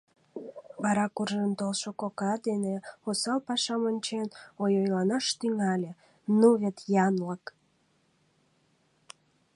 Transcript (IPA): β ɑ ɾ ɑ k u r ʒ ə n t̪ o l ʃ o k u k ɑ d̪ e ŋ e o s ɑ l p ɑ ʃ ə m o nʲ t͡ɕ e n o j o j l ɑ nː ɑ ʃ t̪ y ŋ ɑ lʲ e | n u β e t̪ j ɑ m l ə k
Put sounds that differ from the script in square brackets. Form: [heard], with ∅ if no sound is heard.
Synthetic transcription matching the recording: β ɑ ɾ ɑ k u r ʒ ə n t̪ o l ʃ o k [o] k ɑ d̪ e [n] e o s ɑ l p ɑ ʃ [ɑ] m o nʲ t͡ɕ e n o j o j l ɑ [n] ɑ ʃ t̪ y ŋ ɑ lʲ e | n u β e t̪ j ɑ [n] l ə k